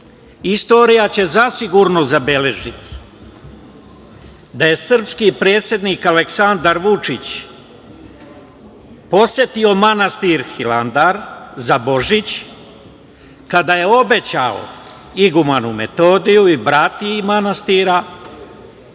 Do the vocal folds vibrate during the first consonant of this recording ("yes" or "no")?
no